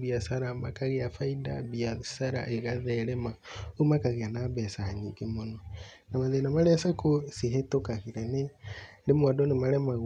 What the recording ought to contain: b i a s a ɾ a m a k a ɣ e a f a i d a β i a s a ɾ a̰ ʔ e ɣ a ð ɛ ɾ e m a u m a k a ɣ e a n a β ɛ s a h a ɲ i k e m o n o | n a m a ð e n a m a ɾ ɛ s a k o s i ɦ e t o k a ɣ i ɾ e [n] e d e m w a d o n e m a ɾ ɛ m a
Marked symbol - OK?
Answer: yes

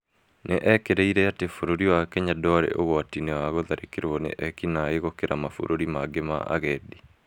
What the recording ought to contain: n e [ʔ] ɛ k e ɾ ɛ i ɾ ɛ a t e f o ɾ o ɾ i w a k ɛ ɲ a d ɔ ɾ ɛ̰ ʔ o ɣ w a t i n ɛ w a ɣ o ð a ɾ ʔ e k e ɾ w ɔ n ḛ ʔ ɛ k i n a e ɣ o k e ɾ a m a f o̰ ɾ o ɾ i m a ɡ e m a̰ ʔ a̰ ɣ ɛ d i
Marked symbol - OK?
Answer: yes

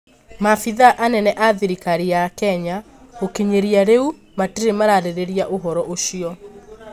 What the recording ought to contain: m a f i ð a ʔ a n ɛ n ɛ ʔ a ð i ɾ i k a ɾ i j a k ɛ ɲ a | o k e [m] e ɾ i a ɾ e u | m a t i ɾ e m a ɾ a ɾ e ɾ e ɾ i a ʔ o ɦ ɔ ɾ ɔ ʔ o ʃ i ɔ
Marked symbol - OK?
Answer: no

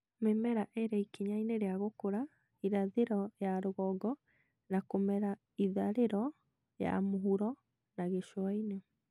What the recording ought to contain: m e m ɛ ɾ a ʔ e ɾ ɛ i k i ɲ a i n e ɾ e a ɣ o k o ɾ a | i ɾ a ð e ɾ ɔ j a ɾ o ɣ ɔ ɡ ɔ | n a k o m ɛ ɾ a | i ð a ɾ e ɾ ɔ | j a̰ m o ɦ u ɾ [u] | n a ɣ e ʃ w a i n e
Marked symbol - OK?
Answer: no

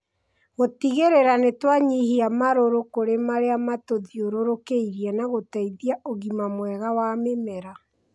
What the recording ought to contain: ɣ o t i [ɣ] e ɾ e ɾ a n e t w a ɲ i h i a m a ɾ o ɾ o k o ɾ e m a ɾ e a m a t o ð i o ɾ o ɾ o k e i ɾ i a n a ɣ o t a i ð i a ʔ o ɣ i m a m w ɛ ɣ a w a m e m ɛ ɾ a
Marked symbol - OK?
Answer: yes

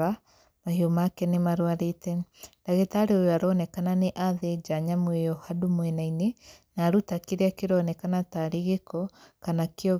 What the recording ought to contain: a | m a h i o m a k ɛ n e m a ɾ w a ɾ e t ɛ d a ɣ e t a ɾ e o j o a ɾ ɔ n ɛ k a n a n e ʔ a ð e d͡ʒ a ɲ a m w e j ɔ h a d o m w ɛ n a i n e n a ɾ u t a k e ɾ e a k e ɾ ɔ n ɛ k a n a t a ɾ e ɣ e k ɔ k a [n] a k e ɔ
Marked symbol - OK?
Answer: yes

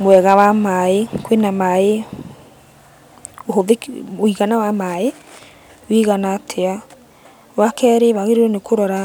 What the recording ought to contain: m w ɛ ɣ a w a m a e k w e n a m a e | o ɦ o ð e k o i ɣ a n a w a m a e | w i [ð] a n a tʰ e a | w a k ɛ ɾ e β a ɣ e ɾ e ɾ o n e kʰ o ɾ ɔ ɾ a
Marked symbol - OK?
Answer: no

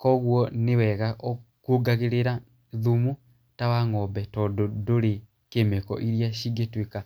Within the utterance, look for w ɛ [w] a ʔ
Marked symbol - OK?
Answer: no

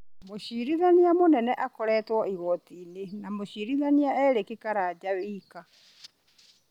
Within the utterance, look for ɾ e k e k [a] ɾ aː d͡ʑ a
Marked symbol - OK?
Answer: yes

